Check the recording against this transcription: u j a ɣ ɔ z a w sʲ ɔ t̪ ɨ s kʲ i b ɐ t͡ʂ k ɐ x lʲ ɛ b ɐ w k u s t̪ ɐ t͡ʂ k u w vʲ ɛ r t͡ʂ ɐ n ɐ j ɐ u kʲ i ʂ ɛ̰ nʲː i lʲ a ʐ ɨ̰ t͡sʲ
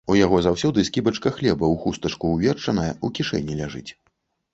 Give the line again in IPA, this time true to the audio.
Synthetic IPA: u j a ɣ ɔ z a w sʲ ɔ d̪ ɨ s kʲ i b ɐ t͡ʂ k ɐ x lʲ ɛ b ɐ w x u s t̪ ɐ t͡ʂ k u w vʲ ɛ r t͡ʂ ɐ n ɐ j ɐ u kʲ i ʂ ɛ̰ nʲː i lʲ a ʐ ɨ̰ t͡sʲ